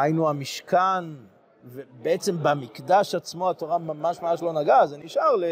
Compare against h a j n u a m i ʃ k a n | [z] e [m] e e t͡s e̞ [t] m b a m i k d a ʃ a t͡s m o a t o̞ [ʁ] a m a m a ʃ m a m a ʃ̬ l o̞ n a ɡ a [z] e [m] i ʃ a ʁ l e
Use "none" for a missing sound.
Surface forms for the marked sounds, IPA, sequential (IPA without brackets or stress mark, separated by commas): v, b, none, ʁ, z, n